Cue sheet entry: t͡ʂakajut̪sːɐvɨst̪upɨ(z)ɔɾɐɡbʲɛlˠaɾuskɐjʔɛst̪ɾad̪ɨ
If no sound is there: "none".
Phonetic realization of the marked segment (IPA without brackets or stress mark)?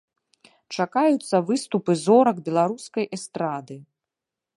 z